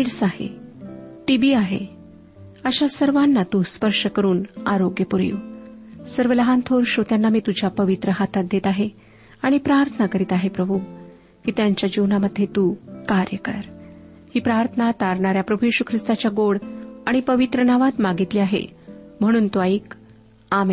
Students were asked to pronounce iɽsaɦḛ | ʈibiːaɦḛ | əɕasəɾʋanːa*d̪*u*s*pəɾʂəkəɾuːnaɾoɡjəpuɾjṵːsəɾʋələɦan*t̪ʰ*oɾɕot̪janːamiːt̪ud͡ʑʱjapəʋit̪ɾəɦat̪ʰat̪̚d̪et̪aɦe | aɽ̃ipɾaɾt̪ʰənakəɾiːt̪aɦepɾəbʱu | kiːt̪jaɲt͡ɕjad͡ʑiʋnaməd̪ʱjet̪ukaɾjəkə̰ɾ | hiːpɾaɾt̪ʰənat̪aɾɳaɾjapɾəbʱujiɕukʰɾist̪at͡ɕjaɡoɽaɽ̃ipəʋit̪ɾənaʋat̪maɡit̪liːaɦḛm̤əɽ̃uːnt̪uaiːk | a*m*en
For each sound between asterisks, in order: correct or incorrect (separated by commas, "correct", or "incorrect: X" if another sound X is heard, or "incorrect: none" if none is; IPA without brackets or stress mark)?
incorrect: t̪, correct, correct, correct